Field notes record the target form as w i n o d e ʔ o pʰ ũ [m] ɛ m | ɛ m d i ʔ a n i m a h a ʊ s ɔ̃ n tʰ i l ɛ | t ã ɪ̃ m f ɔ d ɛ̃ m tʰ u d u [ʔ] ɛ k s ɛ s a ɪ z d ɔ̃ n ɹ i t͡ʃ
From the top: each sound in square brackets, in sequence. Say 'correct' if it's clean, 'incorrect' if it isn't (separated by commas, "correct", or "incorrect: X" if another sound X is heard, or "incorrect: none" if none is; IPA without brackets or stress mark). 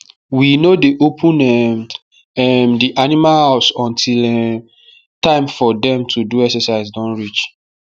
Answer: incorrect: n, incorrect: none